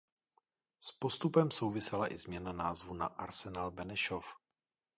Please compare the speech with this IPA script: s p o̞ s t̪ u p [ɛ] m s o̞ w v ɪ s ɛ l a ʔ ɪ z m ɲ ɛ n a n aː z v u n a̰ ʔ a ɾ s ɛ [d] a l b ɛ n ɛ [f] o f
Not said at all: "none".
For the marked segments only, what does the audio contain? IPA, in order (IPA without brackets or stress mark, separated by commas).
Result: ɛ, n, ʃ